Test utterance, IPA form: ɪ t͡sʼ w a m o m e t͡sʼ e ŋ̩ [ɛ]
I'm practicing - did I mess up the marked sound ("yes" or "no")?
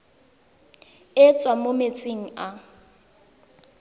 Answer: yes